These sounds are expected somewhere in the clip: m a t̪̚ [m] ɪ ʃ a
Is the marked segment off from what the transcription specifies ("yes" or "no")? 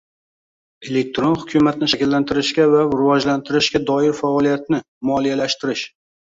yes